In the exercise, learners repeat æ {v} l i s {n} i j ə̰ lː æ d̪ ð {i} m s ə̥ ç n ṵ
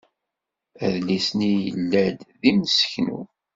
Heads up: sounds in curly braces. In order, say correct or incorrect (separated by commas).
incorrect, correct, correct